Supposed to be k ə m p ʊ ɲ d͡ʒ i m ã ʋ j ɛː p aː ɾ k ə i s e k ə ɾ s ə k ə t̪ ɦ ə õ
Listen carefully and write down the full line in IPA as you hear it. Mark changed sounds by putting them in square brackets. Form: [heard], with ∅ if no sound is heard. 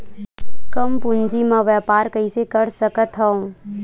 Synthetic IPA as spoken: k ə m p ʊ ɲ d͡ʒ i m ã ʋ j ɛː p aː ɾ k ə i s e k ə ɾ s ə k ə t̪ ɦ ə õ

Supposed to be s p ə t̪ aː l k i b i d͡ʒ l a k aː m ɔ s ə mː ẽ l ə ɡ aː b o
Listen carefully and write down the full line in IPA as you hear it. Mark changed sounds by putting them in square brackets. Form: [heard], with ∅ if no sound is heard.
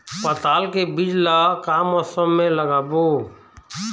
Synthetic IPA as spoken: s p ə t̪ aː l k [e] b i d͡ʒ l a k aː m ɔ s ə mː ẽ l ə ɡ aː b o

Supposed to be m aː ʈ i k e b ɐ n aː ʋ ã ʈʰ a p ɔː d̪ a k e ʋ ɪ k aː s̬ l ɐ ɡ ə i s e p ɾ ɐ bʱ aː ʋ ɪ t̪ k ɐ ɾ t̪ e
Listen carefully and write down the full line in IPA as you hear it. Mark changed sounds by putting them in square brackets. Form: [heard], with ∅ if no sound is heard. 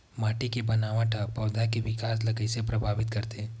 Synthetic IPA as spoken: m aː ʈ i k e b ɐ n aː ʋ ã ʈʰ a p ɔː d̪ a k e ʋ ɪ k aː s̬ l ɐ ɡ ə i s e p ɾ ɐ bʱ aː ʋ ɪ t̪ k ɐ ɾ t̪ e

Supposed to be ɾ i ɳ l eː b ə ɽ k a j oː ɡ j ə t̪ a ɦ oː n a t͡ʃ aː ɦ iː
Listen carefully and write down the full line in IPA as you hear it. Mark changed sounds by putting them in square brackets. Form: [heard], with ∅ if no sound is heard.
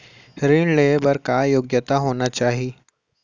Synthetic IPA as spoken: ɾ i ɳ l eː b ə [ɾ] k a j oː ɡ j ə t̪ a ɦ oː n a t͡ʃ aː ɦ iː

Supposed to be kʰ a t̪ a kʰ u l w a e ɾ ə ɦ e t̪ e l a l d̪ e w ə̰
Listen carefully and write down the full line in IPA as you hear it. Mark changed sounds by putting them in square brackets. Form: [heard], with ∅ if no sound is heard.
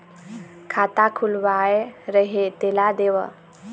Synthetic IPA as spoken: kʰ a t̪ a kʰ u l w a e ɾ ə ɦ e t̪ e l a [∅] d̪ e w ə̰

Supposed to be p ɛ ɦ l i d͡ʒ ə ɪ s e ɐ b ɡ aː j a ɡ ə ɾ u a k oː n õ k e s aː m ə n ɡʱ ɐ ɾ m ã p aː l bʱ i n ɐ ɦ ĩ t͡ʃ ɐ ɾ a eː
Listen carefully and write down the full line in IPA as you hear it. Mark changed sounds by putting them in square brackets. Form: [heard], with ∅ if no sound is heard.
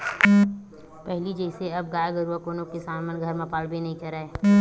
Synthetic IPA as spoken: p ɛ ɦ l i d͡ʒ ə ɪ s e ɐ b ɡ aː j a ɡ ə ɾ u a k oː n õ k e s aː m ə n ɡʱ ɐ ɾ m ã p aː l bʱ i n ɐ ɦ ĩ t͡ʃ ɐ ɾ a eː

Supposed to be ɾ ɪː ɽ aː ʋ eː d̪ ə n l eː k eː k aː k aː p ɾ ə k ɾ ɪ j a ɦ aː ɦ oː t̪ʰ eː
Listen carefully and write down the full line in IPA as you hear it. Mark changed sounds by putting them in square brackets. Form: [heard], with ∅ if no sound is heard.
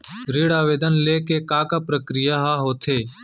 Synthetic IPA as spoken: ɾ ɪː ɽ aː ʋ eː d̪ ə n l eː k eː k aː k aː p ɾ ə k ɾ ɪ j a ɦ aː ɦ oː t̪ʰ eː

